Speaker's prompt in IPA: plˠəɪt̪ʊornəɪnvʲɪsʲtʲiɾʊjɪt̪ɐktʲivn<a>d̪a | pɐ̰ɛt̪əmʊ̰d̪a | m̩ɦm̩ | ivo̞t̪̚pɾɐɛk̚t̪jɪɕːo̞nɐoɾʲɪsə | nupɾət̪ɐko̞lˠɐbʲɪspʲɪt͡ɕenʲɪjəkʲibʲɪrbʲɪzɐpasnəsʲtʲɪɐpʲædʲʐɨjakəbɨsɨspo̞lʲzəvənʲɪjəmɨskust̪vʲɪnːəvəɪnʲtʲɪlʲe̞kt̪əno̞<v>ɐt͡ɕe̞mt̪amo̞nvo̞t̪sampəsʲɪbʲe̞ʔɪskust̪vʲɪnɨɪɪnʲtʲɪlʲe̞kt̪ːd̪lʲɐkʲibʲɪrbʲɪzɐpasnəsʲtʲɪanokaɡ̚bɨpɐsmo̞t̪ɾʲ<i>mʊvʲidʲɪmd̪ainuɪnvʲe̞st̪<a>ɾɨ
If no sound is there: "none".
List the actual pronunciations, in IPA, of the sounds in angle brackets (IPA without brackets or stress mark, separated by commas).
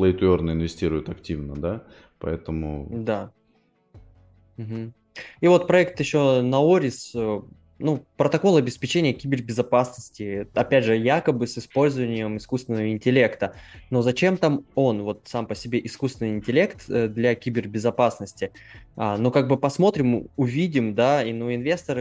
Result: ə, z, ɪ, ə